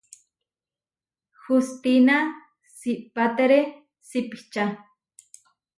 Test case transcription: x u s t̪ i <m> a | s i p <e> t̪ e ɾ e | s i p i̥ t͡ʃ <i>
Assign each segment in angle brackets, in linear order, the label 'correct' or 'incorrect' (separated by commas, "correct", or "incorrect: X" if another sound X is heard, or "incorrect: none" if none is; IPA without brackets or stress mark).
incorrect: n, incorrect: a, incorrect: a